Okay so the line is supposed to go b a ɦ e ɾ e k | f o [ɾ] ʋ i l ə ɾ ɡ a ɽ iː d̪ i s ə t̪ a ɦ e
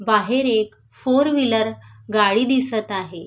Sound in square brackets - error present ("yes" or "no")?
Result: no